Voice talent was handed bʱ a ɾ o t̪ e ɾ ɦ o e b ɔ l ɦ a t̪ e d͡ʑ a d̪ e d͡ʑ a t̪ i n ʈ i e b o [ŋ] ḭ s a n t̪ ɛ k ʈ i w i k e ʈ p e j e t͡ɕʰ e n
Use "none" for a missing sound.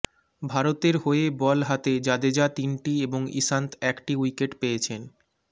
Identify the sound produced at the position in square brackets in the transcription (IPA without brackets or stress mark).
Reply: ŋ